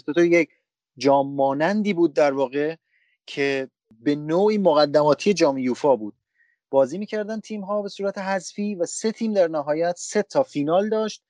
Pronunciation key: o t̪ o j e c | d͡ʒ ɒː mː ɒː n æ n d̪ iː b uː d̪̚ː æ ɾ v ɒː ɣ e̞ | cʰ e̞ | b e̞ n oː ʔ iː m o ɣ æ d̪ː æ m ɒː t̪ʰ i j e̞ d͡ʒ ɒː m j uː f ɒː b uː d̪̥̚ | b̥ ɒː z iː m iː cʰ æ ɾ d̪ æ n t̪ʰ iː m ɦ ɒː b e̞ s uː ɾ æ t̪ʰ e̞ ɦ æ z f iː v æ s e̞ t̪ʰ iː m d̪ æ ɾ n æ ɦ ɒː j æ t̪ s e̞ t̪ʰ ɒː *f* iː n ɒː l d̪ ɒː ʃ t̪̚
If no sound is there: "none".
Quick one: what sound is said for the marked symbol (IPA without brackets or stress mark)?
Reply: f